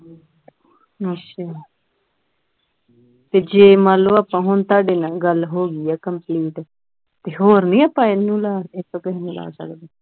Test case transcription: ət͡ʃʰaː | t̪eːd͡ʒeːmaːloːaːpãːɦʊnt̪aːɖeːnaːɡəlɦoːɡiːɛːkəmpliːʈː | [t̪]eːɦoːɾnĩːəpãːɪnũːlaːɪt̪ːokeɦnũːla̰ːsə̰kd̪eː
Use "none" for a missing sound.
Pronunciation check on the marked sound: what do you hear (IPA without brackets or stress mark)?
t̪